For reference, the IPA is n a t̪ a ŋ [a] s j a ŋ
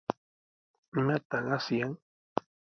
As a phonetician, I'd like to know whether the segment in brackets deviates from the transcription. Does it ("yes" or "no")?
no